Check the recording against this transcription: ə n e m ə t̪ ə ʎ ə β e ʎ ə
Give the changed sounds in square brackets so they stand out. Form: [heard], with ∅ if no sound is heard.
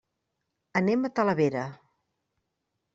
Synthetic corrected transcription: ə n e m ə t̪ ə [l] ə β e [ɾ] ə